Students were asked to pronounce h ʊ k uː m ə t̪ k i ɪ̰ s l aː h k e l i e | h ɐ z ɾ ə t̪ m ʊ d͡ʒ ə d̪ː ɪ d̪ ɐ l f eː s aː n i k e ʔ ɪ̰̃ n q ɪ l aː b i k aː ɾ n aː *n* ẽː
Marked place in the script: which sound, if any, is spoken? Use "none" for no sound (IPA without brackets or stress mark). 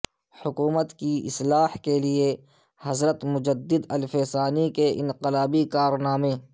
m